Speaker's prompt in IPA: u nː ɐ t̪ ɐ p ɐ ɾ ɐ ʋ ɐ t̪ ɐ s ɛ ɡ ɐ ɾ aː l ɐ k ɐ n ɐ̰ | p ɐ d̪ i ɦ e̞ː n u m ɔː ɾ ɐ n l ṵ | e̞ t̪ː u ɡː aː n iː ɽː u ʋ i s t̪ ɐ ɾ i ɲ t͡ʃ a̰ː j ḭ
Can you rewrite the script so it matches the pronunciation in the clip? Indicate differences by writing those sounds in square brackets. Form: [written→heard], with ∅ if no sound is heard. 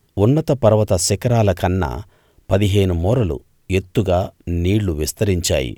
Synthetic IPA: u nː ɐ t̪ ɐ p ɐ ɾ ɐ ʋ ɐ t̪ ɐ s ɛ [ɡ→k] ɐ ɾ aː l ɐ k ɐ [n→nː] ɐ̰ | p ɐ d̪ i ɦ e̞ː n u m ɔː ɾ ɐ [n→∅] l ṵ | e̞ t̪ː u [ɡː→ɡ] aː n iː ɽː u ʋ i s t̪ ɐ ɾ i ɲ t͡ʃ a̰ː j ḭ